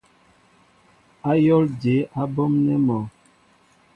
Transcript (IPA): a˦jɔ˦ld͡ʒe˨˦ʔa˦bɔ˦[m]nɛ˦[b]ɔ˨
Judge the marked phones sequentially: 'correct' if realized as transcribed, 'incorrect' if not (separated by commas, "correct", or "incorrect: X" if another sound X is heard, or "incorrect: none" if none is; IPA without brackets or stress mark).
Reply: correct, incorrect: m